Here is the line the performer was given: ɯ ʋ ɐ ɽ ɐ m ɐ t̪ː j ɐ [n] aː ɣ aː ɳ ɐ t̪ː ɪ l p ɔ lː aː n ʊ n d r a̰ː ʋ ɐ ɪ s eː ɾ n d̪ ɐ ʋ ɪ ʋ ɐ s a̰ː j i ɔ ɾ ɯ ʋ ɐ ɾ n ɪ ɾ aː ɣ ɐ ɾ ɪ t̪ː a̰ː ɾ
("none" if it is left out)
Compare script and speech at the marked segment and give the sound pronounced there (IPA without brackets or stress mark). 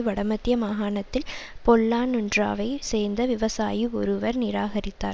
m